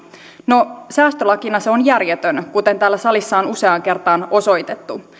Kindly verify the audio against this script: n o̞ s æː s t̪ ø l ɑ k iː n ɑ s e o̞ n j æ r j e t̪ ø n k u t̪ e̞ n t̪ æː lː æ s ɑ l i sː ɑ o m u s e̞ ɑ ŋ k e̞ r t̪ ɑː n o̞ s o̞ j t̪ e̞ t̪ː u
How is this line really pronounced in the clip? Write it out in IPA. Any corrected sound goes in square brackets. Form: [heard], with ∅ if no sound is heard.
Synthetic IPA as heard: n o̞ s æː s t̪ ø l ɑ k [i] n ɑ s e o̞ n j æ r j e t̪ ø n k u t̪ e̞ n t̪ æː lː æ s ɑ l i sː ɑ o [n] u s e̞ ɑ ŋ k e̞ r t̪ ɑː n o̞ s o̞ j t̪ e̞ t̪ː u